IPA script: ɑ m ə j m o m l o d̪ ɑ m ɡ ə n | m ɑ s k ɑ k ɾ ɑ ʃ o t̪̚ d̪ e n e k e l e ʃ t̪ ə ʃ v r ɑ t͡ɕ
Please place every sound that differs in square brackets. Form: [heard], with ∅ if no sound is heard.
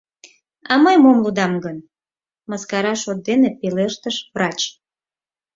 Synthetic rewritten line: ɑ m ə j m o m l [u] d̪ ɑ m ɡ ə n | m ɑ s k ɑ [∅] ɾ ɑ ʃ o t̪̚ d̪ e n e [p] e l e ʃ t̪ ə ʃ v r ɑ t͡ɕ